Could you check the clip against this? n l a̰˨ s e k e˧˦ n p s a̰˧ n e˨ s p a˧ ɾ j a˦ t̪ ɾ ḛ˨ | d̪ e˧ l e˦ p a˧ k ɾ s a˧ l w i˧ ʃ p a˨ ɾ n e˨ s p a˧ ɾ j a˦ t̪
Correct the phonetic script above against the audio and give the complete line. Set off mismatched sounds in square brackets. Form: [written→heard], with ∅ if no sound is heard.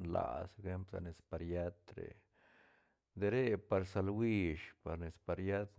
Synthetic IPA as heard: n l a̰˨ s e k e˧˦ [n→m] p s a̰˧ n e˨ s p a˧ ɾ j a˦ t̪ ɾ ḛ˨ | d̪ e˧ [l→ɾ] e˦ p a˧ [k→∅] ɾ s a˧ l w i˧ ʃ p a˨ ɾ n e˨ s p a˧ ɾ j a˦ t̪